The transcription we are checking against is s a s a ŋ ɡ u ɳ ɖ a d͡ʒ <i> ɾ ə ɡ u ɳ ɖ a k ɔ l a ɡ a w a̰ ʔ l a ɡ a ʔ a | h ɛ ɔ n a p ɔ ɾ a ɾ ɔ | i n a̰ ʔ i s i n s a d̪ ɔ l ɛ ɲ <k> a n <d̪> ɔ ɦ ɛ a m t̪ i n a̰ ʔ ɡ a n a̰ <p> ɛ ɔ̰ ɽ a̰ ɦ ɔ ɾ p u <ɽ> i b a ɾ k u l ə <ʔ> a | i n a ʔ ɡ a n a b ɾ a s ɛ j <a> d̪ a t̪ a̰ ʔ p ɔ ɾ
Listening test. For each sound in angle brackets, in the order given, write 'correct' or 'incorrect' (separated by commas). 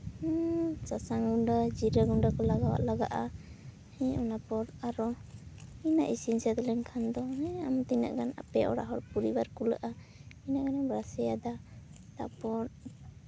correct, incorrect, correct, correct, incorrect, correct, correct